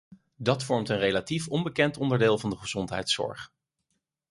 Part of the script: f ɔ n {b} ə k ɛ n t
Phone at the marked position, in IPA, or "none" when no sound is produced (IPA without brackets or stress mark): b